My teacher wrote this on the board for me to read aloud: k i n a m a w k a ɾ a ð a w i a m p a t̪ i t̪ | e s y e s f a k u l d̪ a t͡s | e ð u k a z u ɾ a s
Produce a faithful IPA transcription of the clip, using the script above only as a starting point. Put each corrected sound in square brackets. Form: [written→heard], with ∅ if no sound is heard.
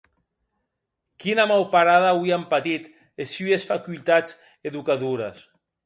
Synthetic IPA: k i n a m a w [k→p] a ɾ a ð a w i a m p a t̪ i t̪ | e s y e s f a k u l [d̪→t̪] a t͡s | e ð u k a [z→ð] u ɾ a s